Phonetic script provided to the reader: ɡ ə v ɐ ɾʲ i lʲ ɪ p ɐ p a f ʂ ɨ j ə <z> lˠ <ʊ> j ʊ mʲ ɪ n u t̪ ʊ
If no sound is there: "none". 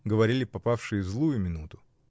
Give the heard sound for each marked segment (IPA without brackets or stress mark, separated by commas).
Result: z, u